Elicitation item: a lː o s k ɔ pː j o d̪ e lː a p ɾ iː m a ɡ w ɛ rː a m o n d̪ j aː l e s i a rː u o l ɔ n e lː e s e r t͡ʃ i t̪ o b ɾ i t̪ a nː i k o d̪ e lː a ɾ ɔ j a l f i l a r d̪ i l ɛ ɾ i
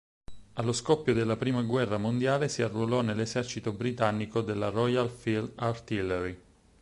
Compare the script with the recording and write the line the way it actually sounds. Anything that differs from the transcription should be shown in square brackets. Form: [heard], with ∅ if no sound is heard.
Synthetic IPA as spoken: a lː o s k ɔ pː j o d̪ e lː a p ɾ iː m a ɡ w ɛ rː a m o n d̪ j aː l e s i a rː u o l ɔ n e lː e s [ɛ] r t͡ʃ i t̪ o b ɾ i t̪ a nː i k o d̪ e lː a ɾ ɔ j a l f i l a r [t̪] i l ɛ ɾ i